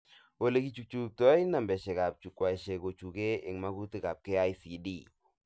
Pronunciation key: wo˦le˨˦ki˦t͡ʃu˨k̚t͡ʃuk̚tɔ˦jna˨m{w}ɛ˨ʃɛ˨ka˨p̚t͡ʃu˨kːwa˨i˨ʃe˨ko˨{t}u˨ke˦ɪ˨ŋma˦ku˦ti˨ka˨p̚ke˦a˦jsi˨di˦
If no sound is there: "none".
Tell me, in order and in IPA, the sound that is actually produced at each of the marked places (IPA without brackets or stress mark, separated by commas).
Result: b, t͡ʃ